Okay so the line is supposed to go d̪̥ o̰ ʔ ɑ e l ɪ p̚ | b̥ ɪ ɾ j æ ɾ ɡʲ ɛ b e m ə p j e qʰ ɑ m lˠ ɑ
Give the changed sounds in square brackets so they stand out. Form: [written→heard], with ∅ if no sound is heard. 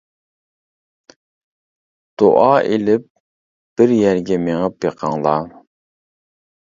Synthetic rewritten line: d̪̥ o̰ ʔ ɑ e l ɪ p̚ | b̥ ɪ ɾ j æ ɾ ɡʲ ɛ [b→m] e [m→ŋ] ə p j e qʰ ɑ [m→ŋ] lˠ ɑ